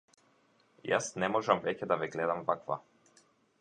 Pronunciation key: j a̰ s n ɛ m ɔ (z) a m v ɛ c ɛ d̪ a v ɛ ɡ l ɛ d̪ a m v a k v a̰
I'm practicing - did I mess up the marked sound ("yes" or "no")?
yes